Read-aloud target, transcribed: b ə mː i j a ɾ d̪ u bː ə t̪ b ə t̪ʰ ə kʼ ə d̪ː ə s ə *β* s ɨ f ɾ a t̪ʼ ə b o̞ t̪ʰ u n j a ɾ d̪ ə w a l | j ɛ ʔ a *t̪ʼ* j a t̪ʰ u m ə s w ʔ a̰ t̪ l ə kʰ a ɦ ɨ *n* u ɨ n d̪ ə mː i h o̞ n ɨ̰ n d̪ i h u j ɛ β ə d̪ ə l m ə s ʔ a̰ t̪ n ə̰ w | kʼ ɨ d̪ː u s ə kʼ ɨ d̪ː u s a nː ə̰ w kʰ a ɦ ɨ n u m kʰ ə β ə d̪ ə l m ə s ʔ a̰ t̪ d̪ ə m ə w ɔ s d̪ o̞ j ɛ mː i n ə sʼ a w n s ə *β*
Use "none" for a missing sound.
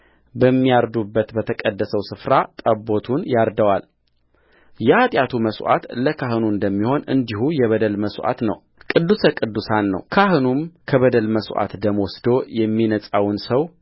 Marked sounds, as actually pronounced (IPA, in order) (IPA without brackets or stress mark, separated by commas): w, t̪ʼ, n, w